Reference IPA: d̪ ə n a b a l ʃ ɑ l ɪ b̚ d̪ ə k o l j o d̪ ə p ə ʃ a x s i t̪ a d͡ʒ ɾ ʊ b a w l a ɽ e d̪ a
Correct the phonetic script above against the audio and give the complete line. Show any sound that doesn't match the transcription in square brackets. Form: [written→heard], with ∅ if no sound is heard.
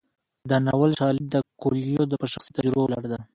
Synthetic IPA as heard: d̪ ə n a [b→w] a l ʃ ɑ l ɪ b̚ d̪ ə k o l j o d̪ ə p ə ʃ a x s i t̪ a d͡ʒ ɾ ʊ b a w l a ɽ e d̪ a